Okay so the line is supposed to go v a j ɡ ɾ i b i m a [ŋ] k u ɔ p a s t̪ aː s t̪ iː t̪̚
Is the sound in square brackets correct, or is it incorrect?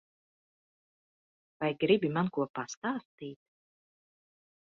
incorrect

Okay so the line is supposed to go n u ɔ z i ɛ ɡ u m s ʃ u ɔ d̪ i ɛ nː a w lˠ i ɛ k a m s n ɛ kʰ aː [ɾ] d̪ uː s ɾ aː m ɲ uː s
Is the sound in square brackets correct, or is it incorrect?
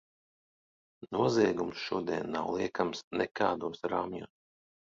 incorrect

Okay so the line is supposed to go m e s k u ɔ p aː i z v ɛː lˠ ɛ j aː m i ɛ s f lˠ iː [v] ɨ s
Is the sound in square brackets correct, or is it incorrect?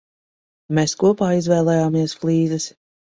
incorrect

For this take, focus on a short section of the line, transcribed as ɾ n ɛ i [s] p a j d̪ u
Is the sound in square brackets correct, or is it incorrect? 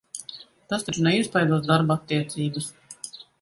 correct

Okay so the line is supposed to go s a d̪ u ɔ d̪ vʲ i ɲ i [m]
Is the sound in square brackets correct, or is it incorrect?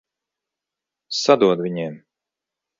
correct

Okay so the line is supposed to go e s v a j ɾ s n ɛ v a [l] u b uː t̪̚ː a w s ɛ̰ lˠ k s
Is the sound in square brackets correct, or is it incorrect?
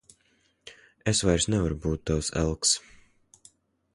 incorrect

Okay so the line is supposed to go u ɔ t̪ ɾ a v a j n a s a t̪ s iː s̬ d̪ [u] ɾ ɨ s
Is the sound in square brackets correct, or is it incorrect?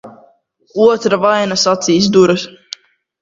correct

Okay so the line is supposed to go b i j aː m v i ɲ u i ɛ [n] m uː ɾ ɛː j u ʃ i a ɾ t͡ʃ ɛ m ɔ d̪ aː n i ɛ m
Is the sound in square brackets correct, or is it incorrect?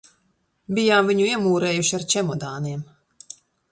incorrect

